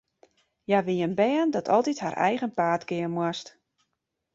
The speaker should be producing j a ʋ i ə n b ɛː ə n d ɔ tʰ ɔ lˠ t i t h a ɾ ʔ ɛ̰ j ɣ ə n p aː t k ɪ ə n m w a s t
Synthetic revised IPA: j a ʋ i ə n b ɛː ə n d ɔ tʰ ɔ lˠ t i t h a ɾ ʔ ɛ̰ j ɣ ə n p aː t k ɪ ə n m w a s t